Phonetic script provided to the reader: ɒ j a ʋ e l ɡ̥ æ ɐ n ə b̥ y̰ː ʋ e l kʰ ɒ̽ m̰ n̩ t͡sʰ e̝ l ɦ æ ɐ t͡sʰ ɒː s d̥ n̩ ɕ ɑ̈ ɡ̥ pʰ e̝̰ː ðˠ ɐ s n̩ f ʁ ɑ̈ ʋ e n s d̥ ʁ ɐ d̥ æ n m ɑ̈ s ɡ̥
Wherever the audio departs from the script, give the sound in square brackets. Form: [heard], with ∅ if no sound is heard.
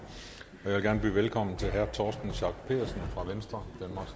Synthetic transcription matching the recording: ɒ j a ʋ e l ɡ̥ æ ɐ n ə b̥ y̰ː ʋ e l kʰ ɒ̽ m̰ n̩ t͡sʰ e̝ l ɦ æ ɐ t͡sʰ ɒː s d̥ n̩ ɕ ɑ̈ ɡ̥ pʰ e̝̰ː ðˠ ɐ s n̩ f ʁ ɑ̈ ʋ e n s d̥ ʁ ɐ d̥ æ n m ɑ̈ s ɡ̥